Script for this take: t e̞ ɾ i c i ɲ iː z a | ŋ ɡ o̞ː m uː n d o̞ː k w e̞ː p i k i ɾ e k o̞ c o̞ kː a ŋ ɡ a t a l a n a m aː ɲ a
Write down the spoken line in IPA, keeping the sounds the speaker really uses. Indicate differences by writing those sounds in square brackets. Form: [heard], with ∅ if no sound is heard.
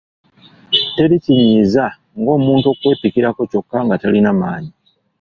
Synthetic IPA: t e̞ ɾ i c i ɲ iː z a | ŋ ɡ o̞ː m uː n [t] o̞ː k w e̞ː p i k i ɾ [a] k o̞ c o̞ kː a ŋ ɡ a t a l [i] n a m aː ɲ [i]